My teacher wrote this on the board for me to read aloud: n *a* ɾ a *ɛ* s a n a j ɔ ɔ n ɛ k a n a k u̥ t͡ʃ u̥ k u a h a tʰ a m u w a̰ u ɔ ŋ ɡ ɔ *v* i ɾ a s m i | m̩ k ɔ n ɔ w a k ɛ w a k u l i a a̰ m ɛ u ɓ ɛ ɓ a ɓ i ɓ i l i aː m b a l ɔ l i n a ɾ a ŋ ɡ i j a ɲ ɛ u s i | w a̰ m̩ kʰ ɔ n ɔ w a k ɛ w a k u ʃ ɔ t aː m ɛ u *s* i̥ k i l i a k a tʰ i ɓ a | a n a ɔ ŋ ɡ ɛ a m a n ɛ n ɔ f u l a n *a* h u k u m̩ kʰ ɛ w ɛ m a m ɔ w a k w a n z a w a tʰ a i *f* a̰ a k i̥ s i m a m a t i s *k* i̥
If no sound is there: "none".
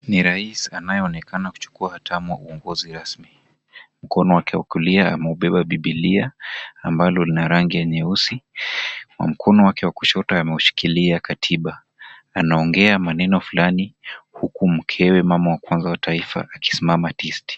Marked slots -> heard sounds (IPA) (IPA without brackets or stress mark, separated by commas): i, i, z, ʃ, i, f, t